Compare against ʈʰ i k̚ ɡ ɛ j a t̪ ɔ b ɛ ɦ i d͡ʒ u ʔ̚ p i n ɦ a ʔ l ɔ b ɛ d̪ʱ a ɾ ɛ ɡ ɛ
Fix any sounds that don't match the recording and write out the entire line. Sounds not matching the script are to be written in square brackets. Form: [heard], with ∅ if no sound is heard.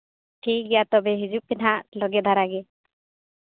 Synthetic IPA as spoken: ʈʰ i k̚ ɡ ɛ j a t̪ ɔ b ɛ ɦ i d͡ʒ u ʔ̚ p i n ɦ a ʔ l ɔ [ɡ] ɛ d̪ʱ a ɾ [a] ɡ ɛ

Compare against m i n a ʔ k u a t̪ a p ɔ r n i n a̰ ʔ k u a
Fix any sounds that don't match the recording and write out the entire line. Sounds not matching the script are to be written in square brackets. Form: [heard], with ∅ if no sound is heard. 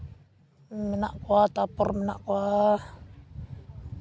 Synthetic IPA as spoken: m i n a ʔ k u a t̪ a p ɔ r [m] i n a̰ ʔ k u a

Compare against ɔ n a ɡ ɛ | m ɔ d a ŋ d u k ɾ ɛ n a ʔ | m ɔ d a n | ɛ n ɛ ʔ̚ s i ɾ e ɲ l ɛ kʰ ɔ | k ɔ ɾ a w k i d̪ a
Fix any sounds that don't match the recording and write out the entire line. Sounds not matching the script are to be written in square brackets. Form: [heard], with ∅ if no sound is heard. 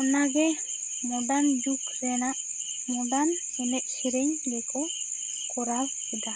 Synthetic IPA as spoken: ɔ n a ɡ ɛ | m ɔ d a [n] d u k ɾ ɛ n a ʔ | m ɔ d a n | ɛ n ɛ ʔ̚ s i ɾ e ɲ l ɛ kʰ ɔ | k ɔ ɾ a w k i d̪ a

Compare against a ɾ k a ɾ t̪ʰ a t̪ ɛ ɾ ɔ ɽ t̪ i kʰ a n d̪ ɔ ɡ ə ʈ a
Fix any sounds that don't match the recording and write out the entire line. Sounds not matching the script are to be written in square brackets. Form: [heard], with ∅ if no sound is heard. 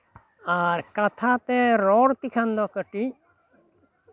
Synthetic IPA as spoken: a ɾ k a [∅] t̪ʰ a t̪ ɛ ɾ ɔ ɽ t̪ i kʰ a n d̪ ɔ [k] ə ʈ [i]

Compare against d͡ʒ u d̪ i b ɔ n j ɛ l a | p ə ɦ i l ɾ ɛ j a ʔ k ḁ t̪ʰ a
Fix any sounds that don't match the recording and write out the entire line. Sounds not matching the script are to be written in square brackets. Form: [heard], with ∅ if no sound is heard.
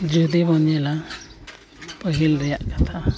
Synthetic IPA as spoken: d͡ʒ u d̪ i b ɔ n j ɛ l a | p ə ɦ i l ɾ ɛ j a ʔ k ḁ t̪ʰ a

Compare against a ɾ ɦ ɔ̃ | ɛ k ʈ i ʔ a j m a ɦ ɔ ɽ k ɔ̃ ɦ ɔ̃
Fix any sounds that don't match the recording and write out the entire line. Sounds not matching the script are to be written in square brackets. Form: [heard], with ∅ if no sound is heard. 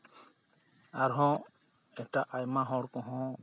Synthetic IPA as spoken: a ɾ ɦ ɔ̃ | ɛ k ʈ [a] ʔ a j m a ɦ ɔ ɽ k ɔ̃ ɦ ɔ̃

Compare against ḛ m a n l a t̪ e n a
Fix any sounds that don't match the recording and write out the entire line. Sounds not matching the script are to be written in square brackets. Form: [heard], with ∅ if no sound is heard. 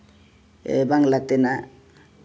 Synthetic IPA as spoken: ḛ [b] a [ŋ] l a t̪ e n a

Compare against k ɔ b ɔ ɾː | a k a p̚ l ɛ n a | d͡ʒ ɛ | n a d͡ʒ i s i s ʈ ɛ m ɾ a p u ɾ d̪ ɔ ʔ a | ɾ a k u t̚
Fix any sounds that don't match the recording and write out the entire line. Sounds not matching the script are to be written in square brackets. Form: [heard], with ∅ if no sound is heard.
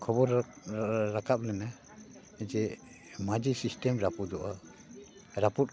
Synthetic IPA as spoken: [kʰ] ɔ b ɔ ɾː | a k a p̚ l ɛ n a | d͡ʒ ɛ | [m] a d͡ʒ i s i s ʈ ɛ m ɾ a p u [∅] d̪ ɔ ʔ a | ɾ a [p] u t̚

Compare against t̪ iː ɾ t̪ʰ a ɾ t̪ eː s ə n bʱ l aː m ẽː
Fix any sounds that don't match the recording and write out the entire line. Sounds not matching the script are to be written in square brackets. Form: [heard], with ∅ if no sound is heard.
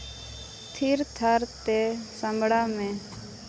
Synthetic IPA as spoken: [t̪ʰ] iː ɾ t̪ʰ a ɾ t̪ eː s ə [m] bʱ [ɽ] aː m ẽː

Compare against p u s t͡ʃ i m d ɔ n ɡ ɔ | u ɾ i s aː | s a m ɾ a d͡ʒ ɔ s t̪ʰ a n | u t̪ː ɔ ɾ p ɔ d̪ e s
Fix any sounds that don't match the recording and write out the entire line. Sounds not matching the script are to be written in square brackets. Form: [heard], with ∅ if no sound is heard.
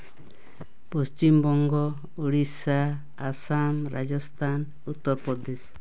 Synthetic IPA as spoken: p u s t͡ʃ i m [b] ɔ [ŋ] ɡ ɔ | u [ɽ] i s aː | s a m ɾ a d͡ʒ ɔ s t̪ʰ a n | u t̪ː ɔ ɾ p ɔ d̪ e s

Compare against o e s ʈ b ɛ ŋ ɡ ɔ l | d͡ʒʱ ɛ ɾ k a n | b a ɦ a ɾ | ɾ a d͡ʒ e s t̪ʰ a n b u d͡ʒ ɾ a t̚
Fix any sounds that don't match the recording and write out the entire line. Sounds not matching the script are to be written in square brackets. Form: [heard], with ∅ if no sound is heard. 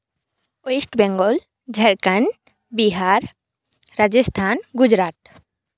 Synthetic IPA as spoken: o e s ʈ b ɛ ŋ ɡ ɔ l | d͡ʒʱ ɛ ɾ k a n | b [i] ɦ a ɾ | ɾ a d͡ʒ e s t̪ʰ a n [ɡ] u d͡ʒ ɾ a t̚

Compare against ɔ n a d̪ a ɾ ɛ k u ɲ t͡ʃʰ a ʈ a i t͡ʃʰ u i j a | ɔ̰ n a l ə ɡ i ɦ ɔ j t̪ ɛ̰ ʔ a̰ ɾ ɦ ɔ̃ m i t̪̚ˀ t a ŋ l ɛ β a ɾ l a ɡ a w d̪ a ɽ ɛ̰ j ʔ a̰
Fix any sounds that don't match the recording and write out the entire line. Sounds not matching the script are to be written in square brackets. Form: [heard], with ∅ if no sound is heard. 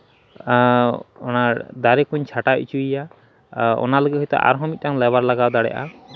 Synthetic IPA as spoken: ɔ n a d̪ a ɾ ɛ k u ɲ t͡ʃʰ a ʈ a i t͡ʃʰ u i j a | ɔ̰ n a l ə ɡ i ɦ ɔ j t̪ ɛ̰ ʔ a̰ ɾ ɦ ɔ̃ m i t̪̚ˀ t a ŋ l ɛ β a ɾ l a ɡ a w d̪ a ɽ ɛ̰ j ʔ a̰

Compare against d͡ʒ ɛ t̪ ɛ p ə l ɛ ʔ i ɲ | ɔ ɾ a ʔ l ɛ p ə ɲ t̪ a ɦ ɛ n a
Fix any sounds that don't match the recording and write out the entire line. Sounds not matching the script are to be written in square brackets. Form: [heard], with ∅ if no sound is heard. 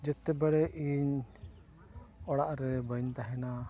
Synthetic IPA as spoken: d͡ʒ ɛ t̪ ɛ [b] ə [ɽ] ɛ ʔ i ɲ | ɔ [ɽ] a ʔ [ɾ] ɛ [b] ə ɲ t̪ a ɦ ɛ n a

